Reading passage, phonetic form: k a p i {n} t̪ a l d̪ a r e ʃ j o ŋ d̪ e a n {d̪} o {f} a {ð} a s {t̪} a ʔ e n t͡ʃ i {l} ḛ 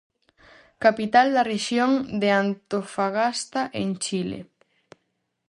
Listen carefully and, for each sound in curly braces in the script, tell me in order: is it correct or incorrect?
incorrect: none, incorrect: t̪, correct, incorrect: ɣ, correct, correct

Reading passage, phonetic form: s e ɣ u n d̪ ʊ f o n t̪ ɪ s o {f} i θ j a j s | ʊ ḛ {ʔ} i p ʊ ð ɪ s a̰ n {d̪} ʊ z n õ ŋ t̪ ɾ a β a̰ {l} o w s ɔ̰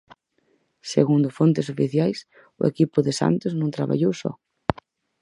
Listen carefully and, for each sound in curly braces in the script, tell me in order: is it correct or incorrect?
correct, incorrect: k, incorrect: t̪, incorrect: ʎ

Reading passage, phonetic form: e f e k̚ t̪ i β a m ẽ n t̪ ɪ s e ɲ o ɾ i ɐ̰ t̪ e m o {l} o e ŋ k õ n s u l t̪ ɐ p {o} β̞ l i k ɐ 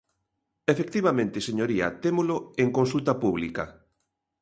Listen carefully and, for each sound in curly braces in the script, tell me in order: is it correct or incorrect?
correct, incorrect: u

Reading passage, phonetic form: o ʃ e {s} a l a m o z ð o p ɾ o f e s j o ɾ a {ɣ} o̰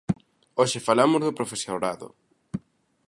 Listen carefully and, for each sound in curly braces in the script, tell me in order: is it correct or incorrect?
incorrect: f, incorrect: ð

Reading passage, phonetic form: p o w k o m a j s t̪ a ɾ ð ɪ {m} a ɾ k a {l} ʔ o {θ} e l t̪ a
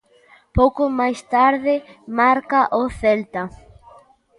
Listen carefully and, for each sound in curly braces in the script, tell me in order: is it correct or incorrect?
correct, incorrect: none, correct

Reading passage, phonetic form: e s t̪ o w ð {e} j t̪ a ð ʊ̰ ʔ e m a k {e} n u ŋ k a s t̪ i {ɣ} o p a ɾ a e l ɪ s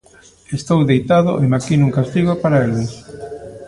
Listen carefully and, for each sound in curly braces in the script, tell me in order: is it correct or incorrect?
correct, incorrect: i, correct

